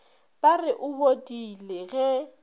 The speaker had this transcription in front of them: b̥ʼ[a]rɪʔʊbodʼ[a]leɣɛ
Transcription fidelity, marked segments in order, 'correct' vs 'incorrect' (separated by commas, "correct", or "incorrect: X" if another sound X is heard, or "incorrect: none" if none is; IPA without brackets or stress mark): correct, incorrect: i